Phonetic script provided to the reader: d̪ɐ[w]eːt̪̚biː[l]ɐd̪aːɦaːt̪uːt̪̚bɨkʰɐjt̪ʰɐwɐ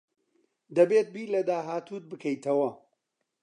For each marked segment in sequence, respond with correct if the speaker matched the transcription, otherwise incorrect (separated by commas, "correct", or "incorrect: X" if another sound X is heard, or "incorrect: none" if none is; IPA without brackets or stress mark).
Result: incorrect: b, correct